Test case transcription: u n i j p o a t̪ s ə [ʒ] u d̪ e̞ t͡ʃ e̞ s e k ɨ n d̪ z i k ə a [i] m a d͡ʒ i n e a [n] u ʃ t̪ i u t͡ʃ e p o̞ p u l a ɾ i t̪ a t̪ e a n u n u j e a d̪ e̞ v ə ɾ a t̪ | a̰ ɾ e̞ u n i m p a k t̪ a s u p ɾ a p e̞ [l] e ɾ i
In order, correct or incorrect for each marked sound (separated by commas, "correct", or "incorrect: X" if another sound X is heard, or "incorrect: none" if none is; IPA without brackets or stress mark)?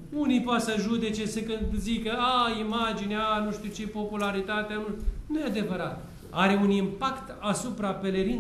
correct, correct, correct, correct